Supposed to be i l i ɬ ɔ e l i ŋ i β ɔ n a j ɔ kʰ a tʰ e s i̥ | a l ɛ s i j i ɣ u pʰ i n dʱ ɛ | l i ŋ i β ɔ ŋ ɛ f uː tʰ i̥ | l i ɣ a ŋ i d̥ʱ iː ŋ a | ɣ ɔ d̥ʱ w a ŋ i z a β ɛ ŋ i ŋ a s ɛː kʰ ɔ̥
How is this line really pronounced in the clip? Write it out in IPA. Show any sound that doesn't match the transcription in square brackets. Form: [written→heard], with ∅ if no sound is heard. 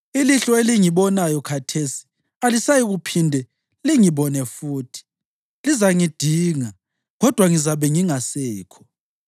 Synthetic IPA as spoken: i l i ɬ ɔ e l i ŋ i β ɔ n a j ɔ kʰ a tʰ e s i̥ | a l [ɛ→i] s [i→a] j i ɣ u pʰ i n dʱ ɛ | l i ŋ i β ɔ [ŋ→n] ɛ f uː tʰ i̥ | l i [ɣ→z] a ŋ i d̥ʱ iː ŋ a | ɣ ɔ d̥ʱ w a ŋ i z a β ɛ ŋ i ŋ a s ɛː kʰ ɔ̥